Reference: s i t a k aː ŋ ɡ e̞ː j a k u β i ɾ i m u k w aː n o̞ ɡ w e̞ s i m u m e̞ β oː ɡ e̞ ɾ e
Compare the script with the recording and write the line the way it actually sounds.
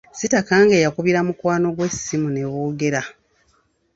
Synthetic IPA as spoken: s i t a k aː ŋ ɡ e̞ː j a k u β i ɾ a m u k w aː n o̞ ɡ w e̞ s i m u n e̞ β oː ɡ e̞ ɾ a